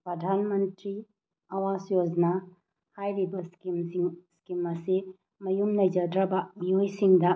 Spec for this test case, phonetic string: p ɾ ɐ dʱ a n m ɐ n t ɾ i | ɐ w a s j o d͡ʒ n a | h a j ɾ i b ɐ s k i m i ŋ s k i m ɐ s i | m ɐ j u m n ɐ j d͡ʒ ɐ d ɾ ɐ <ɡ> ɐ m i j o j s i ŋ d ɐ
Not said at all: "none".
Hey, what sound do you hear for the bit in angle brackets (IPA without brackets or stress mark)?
b